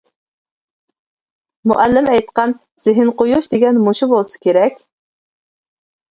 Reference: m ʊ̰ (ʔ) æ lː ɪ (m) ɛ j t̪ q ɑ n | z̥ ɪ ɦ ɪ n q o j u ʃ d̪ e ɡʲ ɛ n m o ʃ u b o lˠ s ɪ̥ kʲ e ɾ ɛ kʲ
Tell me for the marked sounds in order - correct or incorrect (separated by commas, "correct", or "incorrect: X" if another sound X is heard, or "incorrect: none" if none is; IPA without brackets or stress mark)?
correct, correct